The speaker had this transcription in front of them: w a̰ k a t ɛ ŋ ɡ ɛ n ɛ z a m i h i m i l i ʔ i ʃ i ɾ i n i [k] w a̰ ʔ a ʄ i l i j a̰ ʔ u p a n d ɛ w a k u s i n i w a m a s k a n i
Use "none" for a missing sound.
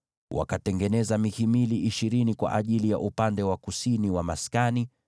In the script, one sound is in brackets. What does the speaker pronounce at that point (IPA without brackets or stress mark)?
k